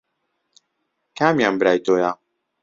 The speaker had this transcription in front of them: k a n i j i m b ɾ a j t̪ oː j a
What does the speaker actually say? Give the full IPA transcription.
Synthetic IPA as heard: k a m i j a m b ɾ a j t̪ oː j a